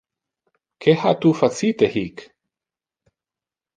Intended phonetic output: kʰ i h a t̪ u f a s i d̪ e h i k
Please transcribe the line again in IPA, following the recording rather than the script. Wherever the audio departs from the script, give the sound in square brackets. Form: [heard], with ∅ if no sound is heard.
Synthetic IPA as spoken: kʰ [e] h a t̪ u f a [t͡s] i [t̪] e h i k